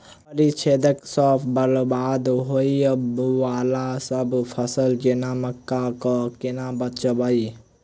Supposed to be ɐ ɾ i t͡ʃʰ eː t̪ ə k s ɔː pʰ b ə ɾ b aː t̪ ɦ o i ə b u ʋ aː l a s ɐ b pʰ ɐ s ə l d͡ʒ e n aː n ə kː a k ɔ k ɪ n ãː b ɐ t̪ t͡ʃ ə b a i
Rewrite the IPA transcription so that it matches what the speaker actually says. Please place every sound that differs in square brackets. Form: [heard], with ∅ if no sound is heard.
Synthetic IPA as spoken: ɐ ɾ i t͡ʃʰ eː [d̪] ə k s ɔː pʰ b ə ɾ b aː [d̪] ɦ o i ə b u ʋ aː l a s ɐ b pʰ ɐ s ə l d͡ʒ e n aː [m] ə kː a k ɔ k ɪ n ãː b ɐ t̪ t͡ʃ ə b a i